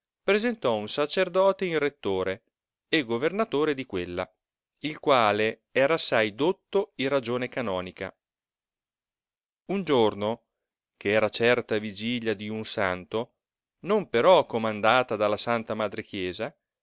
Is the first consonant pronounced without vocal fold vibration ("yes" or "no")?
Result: yes